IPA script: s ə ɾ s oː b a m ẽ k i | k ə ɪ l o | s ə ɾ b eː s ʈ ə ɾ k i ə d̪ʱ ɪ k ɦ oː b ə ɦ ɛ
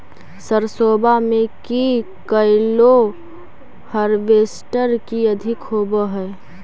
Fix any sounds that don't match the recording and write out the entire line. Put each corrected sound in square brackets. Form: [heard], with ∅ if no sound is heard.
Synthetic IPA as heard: s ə ɾ s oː b a m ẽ k i | k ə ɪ l o | [h] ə ɾ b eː s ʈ ə ɾ k i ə d̪ʱ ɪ k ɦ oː b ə ɦ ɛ